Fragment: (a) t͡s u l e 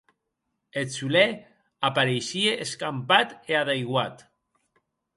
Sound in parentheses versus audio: incorrect: e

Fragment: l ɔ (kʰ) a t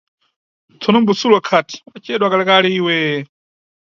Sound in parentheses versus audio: correct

